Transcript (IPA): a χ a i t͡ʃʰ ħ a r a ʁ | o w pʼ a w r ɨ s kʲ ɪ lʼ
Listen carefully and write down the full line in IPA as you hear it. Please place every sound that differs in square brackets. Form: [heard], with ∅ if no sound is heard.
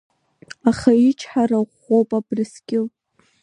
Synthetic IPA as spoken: a χ a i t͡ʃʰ ħ a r a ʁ | o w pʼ a [b] r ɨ s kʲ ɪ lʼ